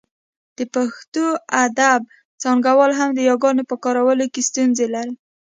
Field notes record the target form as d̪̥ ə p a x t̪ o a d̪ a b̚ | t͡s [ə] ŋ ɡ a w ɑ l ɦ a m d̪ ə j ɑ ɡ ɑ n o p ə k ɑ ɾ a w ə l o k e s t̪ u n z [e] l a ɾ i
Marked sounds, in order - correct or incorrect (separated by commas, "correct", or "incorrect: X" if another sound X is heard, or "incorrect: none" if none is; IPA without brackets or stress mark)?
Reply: incorrect: ɑ, correct